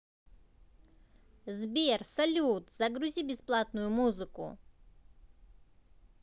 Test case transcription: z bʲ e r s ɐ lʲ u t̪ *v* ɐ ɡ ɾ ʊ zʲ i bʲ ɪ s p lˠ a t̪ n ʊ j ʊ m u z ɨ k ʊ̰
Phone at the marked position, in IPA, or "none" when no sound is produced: z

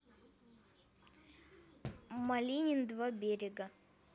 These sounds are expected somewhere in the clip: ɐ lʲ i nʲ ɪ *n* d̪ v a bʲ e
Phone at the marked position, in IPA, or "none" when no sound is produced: n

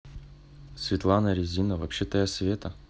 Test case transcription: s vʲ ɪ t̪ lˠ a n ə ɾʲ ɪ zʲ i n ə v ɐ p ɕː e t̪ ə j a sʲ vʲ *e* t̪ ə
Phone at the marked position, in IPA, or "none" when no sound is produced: e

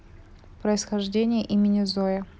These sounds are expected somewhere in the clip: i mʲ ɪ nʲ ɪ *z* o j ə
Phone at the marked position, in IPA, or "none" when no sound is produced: z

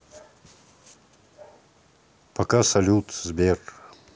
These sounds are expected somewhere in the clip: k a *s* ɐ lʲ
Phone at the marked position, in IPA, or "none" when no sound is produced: s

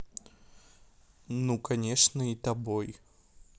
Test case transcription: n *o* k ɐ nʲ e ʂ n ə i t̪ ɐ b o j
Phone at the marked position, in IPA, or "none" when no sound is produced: u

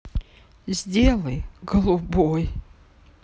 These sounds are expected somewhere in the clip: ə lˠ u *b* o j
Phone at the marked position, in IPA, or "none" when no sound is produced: b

